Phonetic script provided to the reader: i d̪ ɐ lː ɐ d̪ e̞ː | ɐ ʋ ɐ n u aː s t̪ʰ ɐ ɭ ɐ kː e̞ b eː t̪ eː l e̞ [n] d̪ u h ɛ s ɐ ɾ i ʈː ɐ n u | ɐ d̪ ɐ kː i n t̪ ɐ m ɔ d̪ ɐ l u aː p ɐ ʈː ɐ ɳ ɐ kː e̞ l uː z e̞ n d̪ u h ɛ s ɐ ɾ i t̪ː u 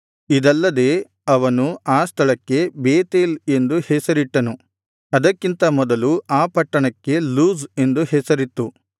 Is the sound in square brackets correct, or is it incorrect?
correct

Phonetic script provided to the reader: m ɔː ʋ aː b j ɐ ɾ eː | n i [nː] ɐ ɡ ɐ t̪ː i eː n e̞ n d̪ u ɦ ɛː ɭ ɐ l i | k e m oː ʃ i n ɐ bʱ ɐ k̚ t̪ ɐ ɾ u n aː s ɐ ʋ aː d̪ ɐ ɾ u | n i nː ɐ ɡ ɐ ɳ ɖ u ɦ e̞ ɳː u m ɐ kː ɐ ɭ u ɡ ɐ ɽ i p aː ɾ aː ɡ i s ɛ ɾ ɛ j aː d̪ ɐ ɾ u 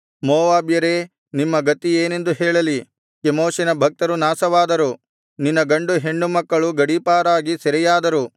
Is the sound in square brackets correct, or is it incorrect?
incorrect: mː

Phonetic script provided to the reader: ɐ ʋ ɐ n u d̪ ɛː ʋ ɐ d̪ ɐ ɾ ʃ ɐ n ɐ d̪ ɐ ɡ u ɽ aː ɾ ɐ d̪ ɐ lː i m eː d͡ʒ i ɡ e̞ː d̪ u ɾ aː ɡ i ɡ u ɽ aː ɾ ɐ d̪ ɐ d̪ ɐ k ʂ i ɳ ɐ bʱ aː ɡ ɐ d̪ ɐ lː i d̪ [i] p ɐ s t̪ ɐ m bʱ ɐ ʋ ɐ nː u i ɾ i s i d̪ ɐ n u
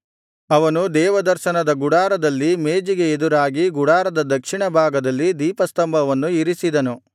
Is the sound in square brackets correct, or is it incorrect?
incorrect: iː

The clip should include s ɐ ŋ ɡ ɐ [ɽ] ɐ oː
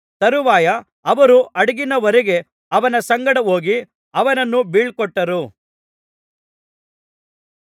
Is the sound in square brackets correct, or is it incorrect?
correct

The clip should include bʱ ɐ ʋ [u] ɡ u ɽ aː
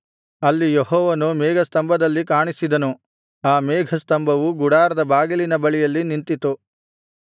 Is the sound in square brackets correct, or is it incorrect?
correct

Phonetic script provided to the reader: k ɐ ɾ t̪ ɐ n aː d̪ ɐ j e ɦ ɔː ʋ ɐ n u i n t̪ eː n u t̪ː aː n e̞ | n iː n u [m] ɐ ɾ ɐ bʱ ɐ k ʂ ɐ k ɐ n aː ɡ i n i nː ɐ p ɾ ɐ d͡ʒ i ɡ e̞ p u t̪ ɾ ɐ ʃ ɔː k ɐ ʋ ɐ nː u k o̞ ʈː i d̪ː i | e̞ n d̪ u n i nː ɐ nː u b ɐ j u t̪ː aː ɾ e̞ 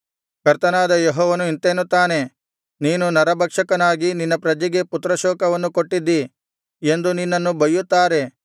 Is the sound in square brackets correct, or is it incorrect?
incorrect: n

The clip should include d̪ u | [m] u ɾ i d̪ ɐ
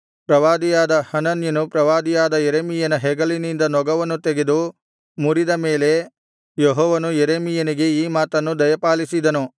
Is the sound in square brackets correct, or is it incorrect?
correct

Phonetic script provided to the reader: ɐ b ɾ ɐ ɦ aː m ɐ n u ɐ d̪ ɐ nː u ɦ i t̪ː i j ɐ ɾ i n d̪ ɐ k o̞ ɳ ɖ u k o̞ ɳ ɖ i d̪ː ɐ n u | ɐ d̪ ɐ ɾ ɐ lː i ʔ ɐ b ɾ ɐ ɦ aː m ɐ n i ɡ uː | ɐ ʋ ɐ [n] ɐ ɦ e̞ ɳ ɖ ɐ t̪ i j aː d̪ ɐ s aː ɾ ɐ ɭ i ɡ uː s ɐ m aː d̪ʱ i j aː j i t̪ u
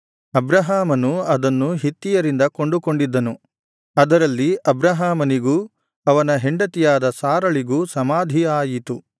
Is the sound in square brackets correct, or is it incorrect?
correct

